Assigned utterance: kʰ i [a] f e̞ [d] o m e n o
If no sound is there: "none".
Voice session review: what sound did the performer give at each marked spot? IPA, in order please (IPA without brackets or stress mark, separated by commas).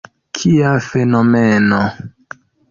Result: a, n